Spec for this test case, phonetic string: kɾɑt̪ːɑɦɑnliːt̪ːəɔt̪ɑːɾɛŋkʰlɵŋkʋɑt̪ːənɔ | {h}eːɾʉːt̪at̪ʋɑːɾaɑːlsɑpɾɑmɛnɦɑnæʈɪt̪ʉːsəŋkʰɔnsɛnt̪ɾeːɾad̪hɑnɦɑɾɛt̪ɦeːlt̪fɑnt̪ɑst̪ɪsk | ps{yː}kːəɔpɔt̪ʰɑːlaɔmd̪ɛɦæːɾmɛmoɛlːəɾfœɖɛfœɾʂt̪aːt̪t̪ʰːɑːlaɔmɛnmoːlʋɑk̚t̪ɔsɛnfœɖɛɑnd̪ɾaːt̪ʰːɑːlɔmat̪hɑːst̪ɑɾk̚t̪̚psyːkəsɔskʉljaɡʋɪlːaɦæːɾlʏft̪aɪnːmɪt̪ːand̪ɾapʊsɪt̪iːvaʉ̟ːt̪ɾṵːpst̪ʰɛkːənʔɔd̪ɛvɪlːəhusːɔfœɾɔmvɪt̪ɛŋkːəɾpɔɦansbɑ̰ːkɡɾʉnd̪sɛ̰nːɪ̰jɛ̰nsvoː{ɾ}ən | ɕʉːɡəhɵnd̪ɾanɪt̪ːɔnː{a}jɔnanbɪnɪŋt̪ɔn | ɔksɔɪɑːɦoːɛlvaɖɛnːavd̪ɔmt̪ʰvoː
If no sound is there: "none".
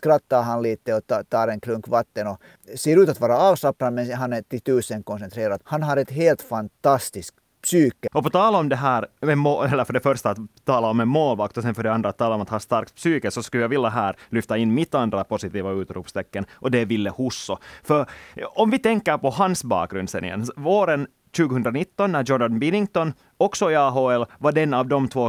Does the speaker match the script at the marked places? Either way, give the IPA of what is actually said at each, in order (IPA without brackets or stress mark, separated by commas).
s, yː, ɾ, æ